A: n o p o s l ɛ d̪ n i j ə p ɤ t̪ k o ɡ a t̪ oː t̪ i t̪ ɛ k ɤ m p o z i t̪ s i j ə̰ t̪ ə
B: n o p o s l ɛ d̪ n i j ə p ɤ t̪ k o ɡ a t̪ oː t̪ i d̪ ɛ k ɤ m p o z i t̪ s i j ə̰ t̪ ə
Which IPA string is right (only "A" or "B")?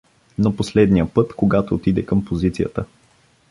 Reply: B